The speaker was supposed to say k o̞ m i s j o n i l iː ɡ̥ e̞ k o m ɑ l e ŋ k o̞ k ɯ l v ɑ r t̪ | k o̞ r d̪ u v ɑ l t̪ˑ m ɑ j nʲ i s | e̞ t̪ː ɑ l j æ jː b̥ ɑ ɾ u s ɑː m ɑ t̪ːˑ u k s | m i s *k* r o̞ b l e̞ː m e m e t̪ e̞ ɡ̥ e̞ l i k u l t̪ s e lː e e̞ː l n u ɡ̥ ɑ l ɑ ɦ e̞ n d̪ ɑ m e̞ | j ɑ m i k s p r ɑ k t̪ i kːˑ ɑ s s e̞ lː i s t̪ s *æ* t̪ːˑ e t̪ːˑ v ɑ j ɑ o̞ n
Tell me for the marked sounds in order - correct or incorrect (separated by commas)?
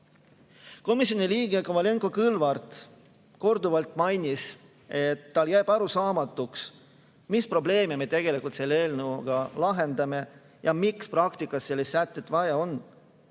incorrect, correct